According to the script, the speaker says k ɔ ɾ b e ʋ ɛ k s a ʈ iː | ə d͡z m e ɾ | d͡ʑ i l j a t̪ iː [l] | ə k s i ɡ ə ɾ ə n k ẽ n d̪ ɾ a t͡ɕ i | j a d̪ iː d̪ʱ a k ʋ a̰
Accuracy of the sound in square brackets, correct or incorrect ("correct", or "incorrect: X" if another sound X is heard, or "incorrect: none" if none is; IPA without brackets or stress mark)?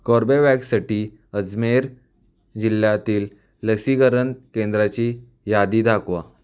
incorrect: lː